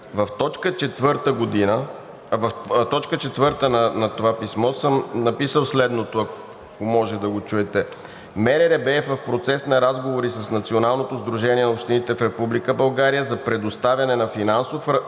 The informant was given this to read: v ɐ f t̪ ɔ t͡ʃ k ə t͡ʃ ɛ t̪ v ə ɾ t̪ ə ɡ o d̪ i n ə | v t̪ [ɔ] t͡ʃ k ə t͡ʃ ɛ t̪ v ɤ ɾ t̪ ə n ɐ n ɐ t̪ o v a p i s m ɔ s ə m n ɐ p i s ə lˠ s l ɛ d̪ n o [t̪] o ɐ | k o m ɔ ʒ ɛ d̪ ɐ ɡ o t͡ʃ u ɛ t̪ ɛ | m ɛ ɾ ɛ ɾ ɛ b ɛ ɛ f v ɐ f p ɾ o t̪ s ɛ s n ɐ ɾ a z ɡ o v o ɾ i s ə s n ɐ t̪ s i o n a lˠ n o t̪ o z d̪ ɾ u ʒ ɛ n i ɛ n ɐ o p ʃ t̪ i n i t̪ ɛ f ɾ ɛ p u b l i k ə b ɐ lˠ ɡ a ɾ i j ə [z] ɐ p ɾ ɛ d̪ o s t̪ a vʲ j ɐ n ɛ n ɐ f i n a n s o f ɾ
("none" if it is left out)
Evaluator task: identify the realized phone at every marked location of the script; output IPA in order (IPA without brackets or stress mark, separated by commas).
ɔ, t̪, z